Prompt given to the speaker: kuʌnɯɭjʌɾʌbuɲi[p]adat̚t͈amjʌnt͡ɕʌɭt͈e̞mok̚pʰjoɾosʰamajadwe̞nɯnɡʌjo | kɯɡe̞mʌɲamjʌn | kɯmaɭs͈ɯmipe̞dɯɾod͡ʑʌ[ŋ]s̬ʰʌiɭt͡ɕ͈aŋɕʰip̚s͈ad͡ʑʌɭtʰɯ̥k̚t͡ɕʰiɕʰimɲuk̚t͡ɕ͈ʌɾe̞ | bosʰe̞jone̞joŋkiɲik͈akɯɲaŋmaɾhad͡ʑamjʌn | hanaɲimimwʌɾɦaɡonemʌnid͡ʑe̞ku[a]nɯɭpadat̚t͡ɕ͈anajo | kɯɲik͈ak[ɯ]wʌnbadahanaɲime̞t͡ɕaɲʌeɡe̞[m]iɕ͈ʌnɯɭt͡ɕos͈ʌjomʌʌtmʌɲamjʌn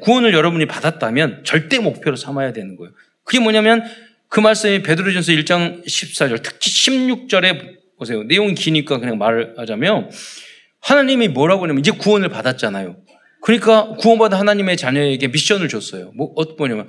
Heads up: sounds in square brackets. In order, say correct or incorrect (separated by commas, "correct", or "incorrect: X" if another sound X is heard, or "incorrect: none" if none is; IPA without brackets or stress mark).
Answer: correct, incorrect: n, incorrect: ʌ, incorrect: u, correct